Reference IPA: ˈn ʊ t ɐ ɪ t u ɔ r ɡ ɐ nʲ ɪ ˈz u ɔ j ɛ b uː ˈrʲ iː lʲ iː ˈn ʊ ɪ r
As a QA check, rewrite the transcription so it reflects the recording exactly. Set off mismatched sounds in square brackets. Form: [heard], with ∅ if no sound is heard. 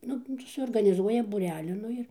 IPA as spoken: ˈn ʊ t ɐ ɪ [s] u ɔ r ɡ ɐ nʲ ɪ ˈz u ɔ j ɛ b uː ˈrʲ [æː] lʲ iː ˈn ʊ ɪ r